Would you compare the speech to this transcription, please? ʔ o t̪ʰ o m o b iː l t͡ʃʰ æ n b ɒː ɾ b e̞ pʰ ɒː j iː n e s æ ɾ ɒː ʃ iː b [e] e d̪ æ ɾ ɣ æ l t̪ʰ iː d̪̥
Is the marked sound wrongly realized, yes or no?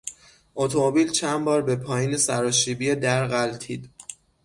yes